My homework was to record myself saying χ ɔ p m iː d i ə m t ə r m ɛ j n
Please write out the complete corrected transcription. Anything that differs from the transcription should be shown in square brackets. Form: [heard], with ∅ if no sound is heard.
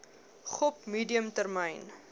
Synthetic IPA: χ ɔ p m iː d i ə m t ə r m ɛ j n